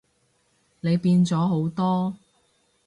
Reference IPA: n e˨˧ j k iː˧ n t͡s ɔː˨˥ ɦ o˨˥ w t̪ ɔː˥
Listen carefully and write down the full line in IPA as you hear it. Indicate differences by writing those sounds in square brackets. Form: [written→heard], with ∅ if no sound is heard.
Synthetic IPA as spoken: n e˨˧ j [k→p] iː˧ n t͡s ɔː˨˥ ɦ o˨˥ w t̪ ɔː˥